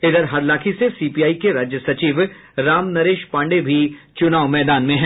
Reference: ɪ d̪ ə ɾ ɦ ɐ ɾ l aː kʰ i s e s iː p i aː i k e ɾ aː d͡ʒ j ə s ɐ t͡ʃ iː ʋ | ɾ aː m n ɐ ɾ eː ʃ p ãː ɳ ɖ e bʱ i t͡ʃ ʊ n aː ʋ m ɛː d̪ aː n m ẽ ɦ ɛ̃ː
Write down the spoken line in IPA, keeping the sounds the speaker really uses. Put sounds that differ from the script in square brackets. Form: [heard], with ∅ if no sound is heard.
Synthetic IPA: ɪ d̪ ə ɾ ɦ ɐ ɾ l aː kʰ i s e s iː p i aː i k e ɾ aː d͡ʒ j ə s ɐ t͡ʃ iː ʋ | ɾ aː m n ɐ ɾ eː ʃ p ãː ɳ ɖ e bʱ i t͡ʃ ʊ n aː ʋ m ɛː d̪ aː n m ẽ ɦ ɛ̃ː

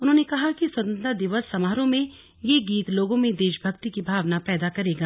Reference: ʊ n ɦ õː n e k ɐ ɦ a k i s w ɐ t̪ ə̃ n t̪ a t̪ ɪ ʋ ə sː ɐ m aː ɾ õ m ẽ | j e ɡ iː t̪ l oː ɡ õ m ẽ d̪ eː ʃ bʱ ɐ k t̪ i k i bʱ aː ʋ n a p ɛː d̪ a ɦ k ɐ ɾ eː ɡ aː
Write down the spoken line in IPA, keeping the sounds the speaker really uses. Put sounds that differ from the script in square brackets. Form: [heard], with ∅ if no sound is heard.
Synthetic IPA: ʊ n ɦ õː n e k ɐ ɦ a k i s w ɐ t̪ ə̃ n t̪ a [d̪] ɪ ʋ ə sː ɐ m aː ɾ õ m ẽ | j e ɡ iː t̪ l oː ɡ õ m ẽ d̪ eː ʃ bʱ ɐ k t̪ i k i bʱ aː ʋ n a p ɛː d̪ a [∅] k ɐ ɾ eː ɡ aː

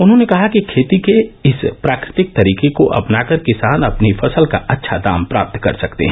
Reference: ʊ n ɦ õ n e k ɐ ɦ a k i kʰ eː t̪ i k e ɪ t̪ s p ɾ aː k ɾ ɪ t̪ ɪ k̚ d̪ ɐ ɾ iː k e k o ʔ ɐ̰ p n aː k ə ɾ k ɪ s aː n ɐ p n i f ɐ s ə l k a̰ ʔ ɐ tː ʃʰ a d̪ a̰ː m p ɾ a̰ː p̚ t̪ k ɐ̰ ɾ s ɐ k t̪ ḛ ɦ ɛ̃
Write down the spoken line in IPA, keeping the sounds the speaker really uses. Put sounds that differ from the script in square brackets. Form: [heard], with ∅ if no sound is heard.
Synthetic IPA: ʊ n ɦ õ n e k ɐ ɦ a k i kʰ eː t̪ i k e ɪ [∅] s p ɾ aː k ɾ ɪ t̪ ɪ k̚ [t̪] ɐ ɾ iː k e k o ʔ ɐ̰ p n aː k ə ɾ k ɪ s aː n ɐ p n i f ɐ s ə l k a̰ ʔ ɐ tː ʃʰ a d̪ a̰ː m p ɾ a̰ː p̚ t̪ k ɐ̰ ɾ s ɐ k t̪ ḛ ɦ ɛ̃

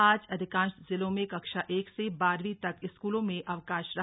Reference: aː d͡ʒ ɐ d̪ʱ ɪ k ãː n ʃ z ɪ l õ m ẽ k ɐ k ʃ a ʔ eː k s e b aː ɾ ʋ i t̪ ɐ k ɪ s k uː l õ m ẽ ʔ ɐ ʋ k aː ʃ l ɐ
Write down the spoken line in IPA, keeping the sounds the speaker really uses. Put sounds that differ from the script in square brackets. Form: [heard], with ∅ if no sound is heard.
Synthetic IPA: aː d͡ʒ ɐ d̪ʱ ɪ k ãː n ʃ z ɪ l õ m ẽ k ɐ k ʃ a ʔ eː k s e b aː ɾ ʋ i t̪ ɐ k ɪ s k uː l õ m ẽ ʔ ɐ ʋ k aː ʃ [ɾ] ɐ

